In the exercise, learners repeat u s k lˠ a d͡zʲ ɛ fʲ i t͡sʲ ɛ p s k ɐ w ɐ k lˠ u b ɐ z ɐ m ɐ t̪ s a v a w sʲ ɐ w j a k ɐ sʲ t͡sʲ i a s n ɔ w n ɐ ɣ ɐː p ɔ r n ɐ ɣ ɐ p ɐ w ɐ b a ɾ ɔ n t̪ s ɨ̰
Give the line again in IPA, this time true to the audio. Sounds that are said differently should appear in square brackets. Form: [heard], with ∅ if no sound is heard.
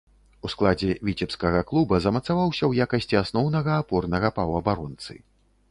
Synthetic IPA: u s k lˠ a d͡zʲ ɛ [vʲ] i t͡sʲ ɛ p s k ɐ [ɣ] ɐ k lˠ u b ɐ z ɐ m ɐ t̪ s a v a w sʲ ɐ w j a k ɐ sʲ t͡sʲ i a s n ɔ w n ɐ ɣ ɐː p ɔ r n ɐ ɣ ɐ p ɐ w ɐ b a ɾ ɔ n t̪ s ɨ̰